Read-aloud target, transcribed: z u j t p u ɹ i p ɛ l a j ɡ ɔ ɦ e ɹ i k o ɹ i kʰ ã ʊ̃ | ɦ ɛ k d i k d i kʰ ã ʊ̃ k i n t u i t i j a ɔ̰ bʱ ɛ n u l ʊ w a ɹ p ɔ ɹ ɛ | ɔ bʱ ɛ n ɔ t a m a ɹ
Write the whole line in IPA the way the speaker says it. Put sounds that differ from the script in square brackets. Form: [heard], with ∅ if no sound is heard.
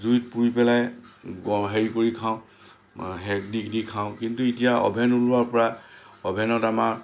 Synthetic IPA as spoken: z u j t p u ɹ i p ɛ l a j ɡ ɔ ɦ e ɹ i k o ɹ i kʰ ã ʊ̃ | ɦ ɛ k d i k d i kʰ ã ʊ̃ k i n t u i t i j a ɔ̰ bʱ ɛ n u l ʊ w a ɹ p ɔ ɹ [a] | ɔ bʱ ɛ n ɔ t a m a ɹ

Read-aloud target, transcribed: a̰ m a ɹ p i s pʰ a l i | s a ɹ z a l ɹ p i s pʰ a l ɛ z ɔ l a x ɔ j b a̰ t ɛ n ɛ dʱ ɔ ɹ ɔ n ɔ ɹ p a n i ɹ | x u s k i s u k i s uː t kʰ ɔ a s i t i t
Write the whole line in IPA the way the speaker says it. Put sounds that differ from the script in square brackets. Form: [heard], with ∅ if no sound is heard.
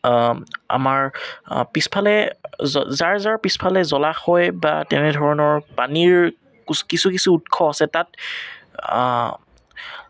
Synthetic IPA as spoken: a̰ m a ɹ p i s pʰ a l [ɛ] | [z] a ɹ z a [∅] ɹ p i s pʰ a l ɛ z ɔ l a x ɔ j b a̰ t ɛ n ɛ dʱ ɔ ɹ ɔ n ɔ ɹ p a n i ɹ | [k] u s k i s u k i s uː t kʰ ɔ a s [ɛ] t [a] t

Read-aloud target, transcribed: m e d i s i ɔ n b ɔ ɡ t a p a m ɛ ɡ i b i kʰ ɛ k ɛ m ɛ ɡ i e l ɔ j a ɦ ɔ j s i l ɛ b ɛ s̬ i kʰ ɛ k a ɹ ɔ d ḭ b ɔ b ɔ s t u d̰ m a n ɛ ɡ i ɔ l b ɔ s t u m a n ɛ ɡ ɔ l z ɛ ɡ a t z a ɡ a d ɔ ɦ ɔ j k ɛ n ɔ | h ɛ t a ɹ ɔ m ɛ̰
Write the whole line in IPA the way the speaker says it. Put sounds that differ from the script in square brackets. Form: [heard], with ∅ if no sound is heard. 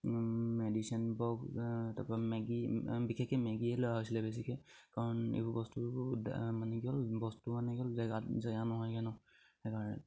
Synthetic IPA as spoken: m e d i s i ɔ n b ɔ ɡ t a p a m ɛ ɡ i b i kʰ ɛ k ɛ m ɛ ɡ i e l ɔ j a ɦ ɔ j s i l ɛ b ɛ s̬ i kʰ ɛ k a ɹ ɔ [n] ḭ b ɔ b ɔ s t u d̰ m a n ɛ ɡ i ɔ l b ɔ s t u m a n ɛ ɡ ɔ l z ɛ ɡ a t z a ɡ a [n] ɔ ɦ ɔ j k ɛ n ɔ | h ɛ [k] a ɹ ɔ [n] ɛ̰

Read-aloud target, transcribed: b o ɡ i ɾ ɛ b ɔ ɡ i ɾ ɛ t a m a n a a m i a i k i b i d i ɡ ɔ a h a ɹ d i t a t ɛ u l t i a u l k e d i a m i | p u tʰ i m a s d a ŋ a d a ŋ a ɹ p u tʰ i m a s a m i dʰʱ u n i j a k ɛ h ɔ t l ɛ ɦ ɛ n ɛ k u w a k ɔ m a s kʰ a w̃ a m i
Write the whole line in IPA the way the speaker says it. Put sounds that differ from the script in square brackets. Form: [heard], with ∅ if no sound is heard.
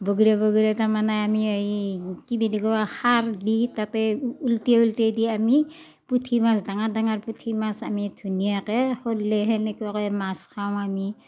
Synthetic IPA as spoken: b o ɡ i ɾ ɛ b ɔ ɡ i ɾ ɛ t a m a n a a m i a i k i b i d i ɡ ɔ a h a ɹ d i t a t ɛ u l t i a u l [t] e d i a m i | p u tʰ i m a s d a ŋ a d a ŋ a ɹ p u tʰ i m a s a m i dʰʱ u n i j a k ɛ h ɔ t l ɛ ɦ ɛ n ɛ k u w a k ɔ m a s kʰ a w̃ a m i

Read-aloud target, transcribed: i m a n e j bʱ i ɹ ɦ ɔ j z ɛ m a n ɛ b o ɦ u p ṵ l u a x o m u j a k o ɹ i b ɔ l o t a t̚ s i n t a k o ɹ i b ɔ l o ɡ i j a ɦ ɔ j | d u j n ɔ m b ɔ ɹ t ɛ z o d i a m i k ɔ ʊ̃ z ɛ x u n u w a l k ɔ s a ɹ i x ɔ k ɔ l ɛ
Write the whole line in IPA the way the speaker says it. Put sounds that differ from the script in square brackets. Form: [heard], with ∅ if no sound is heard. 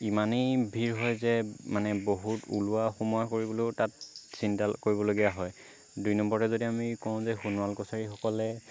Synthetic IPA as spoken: i m a n e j bʱ i ɹ ɦ ɔ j z ɛ m a n ɛ b o ɦ u [t] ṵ l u a x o m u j a k o ɹ i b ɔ l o t a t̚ s i n t a k o ɹ i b ɔ l o ɡ i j a ɦ ɔ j | d u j n ɔ m b ɔ ɹ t ɛ z o d i a m i k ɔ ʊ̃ z ɛ x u n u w a l k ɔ s a ɹ i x ɔ k ɔ l ɛ

